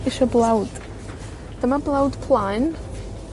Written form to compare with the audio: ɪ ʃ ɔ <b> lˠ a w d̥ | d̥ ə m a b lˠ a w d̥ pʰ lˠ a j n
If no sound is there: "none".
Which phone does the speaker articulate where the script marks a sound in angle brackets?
b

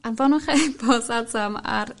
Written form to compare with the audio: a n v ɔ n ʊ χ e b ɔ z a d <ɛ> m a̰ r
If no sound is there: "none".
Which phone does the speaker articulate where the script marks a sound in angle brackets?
a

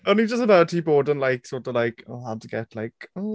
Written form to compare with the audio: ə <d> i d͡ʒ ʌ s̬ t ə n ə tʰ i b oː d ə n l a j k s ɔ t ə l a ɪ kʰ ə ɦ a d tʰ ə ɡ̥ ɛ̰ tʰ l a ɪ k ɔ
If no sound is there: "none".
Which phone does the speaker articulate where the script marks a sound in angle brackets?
n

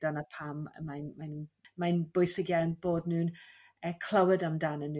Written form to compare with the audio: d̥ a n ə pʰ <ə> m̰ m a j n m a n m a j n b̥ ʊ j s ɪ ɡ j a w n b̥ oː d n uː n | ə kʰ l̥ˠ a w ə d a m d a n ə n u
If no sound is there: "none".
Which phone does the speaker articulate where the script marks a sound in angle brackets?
a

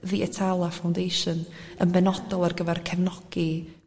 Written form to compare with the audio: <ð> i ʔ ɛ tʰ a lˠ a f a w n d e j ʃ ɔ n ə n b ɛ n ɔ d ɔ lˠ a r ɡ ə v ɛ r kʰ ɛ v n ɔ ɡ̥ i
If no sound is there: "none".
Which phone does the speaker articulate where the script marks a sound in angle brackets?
ð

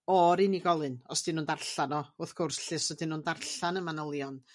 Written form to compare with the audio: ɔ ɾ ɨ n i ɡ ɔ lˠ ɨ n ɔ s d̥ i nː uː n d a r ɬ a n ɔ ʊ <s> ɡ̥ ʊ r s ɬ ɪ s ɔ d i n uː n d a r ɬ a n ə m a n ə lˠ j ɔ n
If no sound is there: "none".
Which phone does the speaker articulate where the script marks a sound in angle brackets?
θ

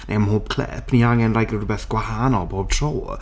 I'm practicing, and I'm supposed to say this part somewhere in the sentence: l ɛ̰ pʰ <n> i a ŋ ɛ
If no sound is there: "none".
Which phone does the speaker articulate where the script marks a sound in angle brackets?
n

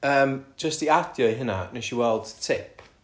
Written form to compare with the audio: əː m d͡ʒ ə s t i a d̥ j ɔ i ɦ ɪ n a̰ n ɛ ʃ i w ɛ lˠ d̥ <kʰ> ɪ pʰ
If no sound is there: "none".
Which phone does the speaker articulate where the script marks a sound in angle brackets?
tʰ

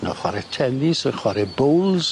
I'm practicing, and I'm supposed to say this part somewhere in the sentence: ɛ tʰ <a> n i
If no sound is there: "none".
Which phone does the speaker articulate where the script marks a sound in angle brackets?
ɛ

